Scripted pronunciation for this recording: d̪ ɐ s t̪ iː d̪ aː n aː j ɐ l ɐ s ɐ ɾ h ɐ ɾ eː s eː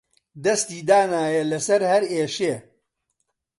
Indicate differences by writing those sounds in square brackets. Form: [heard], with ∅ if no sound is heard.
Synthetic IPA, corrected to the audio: d̪ ɐ s t̪ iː d̪ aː n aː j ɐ l ɐ s ɐ ɾ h ɐ ɾ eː [ʃ] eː

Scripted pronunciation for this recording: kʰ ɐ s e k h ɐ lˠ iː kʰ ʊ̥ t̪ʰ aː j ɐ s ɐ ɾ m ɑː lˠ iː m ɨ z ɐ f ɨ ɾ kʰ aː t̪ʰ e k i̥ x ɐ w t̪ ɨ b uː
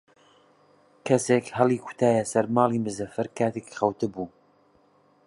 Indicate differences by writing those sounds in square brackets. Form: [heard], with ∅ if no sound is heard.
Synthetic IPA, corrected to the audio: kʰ ɐ s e k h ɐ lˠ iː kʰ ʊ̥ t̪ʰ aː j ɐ s ɐ ɾ m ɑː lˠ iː m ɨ z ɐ f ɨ ɾ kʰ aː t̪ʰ e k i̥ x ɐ w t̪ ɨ b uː

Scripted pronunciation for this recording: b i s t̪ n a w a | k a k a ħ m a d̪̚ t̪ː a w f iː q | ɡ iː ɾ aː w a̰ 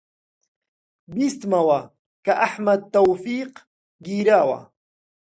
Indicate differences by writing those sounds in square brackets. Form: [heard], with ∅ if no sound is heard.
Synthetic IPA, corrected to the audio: b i s t̪ [m] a w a | k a [ʔ] a ħ m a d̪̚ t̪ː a w f iː q | ɡ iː ɾ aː w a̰

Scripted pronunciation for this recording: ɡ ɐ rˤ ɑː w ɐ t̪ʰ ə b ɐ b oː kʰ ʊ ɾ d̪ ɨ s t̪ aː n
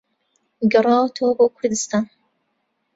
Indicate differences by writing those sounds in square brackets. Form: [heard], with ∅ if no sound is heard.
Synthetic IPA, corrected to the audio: ɡ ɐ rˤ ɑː w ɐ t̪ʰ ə [w] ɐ b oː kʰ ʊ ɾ d̪ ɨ s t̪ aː n

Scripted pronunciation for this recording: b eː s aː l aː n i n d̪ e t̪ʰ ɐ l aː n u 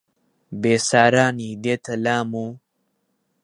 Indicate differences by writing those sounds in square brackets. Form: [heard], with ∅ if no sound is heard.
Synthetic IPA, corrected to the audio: b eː s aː [ɾ] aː n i [∅] d̪ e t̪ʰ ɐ l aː [m] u

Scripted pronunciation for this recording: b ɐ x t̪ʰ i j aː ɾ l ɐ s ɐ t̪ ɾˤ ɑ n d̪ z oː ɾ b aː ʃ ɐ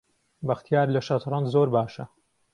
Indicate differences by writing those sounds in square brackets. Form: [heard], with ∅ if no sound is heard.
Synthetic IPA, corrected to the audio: b ɐ x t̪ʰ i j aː ɾ l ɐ [ʃ] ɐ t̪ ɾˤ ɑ n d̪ z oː ɾ b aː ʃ ɐ

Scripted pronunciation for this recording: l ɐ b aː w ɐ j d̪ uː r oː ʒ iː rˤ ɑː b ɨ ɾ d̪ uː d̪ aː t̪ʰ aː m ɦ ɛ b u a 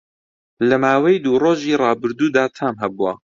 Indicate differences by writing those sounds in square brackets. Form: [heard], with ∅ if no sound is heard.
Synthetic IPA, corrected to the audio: l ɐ [m] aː w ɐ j d̪ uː r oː ʒ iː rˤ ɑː b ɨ ɾ d̪ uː d̪ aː t̪ʰ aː m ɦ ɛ b u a

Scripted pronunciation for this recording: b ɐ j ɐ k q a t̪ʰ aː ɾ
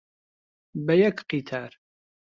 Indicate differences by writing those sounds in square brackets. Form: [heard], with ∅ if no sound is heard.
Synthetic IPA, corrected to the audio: b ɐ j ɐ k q [i] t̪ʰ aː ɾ

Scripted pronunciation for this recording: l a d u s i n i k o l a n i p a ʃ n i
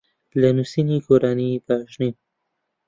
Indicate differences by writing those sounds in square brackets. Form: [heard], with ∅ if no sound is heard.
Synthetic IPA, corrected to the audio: l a [n] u s i n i k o [ɾ] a n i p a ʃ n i

